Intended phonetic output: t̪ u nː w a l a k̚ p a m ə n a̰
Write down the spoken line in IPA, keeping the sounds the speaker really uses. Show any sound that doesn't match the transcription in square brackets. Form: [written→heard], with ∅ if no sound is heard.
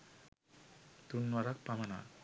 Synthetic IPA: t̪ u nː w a [l→ɾ] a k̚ p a m [ə→a] n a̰